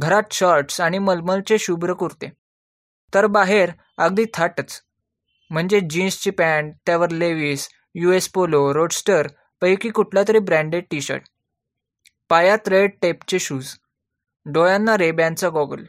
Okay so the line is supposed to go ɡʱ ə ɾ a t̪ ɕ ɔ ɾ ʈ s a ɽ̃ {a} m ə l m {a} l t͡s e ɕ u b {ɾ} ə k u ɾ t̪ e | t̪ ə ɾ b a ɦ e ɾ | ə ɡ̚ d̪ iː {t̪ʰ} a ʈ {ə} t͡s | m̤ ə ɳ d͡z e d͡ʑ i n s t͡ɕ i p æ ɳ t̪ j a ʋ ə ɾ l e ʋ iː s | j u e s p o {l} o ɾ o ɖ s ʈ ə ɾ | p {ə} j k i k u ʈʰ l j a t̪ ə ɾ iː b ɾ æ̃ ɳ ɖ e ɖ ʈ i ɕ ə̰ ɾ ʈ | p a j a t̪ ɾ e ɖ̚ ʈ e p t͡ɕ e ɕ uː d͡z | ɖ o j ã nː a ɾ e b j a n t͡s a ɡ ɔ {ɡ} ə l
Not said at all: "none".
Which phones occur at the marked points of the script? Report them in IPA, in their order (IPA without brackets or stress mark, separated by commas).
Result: i, ə, ɾ, t̪ʰ, ə, l, ə, ɡ